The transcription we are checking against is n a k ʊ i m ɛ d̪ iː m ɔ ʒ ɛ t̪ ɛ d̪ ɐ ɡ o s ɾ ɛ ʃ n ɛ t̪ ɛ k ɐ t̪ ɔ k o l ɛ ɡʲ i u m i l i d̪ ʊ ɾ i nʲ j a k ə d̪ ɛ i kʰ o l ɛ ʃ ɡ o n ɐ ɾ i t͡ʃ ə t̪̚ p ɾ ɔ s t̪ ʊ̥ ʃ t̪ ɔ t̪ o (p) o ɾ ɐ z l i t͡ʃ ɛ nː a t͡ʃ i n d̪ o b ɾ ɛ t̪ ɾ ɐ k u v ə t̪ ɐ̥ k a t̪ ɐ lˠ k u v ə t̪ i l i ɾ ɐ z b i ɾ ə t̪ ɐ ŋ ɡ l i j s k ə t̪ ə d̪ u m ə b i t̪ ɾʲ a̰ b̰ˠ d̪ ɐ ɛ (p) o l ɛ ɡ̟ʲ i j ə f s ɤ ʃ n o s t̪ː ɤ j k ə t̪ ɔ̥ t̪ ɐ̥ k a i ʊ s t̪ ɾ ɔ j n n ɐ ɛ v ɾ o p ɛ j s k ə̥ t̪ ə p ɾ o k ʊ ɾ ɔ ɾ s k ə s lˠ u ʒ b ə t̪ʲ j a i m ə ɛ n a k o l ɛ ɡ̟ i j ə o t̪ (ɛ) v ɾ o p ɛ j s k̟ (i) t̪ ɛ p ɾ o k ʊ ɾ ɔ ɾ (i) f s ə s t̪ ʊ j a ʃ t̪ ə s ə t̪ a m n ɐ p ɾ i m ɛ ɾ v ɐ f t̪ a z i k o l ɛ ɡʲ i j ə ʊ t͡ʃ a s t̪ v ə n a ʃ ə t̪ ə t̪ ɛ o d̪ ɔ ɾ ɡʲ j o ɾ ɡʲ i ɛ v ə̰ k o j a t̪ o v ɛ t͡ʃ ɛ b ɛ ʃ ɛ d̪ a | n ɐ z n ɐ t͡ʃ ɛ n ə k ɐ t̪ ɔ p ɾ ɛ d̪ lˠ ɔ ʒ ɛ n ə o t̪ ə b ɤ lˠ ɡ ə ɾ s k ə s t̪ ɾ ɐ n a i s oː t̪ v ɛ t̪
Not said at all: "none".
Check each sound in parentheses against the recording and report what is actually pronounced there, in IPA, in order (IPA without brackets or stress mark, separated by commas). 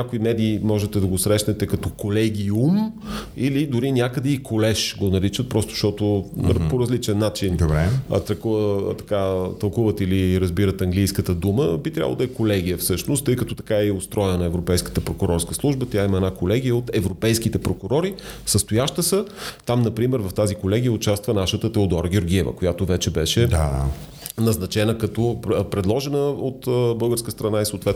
p, k, ɛ, i, i